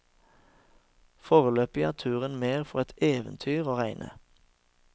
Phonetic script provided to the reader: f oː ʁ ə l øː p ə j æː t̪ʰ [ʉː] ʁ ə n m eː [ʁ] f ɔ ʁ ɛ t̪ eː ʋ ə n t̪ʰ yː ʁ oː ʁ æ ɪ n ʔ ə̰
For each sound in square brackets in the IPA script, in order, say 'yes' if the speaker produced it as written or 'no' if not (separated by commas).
yes, yes